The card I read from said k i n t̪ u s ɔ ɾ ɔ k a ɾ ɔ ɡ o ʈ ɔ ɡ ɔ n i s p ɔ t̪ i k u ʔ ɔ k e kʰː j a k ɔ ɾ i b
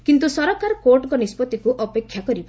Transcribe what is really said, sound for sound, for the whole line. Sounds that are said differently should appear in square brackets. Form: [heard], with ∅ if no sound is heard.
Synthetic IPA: k i n t̪ u s ɔ ɾ ɔ k a ɾ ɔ [k] o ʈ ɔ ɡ ɔ n i s p ɔ t̪ i k u ʔ ɔ [p] e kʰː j a k ɔ ɾ i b